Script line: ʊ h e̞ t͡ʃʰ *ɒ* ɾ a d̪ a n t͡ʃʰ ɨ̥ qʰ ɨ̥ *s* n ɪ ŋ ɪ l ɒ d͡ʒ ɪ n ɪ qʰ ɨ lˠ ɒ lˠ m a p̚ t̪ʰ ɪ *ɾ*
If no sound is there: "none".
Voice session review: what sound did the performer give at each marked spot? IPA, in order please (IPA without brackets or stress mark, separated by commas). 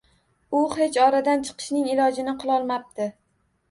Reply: ɒ, ʃ, none